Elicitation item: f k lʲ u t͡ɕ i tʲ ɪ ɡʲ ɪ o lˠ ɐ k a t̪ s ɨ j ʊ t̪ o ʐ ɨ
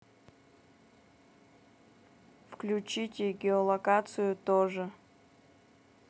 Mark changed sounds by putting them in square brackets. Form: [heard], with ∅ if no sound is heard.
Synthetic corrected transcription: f k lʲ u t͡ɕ i tʲ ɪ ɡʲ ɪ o lˠ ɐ k a t̪ s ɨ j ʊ t̪ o ʐ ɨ